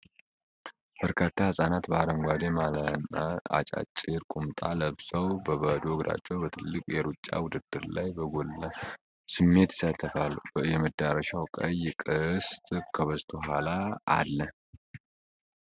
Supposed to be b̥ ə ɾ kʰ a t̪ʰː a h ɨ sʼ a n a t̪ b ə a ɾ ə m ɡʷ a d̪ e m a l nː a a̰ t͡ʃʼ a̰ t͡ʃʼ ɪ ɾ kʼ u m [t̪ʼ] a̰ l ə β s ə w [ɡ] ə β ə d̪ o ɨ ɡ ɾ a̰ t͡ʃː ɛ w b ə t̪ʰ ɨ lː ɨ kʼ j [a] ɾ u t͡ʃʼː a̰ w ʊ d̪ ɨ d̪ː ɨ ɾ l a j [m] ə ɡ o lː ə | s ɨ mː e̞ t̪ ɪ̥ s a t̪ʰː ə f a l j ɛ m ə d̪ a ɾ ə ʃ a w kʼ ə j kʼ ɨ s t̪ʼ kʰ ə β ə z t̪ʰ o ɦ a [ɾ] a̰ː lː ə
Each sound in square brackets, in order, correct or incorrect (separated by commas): correct, incorrect, incorrect, incorrect, incorrect